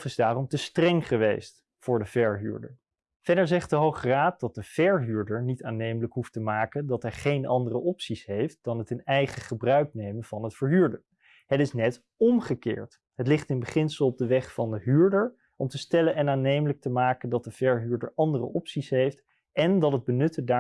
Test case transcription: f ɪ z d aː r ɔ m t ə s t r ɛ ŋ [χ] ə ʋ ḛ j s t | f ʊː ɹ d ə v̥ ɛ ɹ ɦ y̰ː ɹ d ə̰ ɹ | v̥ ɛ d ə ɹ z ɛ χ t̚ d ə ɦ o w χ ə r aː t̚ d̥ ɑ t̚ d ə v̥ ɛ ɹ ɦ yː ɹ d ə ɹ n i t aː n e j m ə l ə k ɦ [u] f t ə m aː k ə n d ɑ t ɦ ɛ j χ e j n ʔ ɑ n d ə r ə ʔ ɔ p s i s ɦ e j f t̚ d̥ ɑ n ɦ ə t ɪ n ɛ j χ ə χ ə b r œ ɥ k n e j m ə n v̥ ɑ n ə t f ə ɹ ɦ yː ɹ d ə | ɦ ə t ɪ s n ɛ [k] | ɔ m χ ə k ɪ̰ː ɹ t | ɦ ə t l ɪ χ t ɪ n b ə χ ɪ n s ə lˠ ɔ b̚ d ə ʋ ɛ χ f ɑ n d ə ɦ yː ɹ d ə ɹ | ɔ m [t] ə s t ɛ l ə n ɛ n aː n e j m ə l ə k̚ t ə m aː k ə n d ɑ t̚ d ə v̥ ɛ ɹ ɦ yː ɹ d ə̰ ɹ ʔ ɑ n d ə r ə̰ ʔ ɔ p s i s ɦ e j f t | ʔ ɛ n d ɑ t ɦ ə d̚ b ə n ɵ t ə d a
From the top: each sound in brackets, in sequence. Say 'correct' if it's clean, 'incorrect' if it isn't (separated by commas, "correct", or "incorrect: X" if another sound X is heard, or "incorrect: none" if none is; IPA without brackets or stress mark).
correct, correct, incorrect: t, correct